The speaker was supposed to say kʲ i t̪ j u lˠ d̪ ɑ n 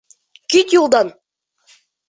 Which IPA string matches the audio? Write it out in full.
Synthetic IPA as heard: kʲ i t̪ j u lˠ d̪ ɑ n